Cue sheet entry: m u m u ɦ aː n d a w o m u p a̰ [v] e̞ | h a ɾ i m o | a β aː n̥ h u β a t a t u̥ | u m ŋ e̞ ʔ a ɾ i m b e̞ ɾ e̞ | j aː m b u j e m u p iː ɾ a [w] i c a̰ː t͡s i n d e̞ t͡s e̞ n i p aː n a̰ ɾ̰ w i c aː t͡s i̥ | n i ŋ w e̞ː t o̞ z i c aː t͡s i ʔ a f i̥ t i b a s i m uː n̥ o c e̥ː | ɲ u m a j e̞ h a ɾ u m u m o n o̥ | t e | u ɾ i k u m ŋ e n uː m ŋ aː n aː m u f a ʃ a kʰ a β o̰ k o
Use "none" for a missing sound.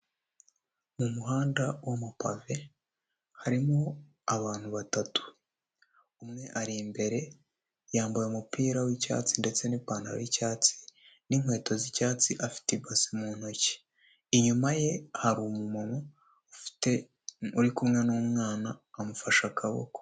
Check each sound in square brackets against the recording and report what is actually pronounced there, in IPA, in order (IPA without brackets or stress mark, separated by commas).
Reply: v, w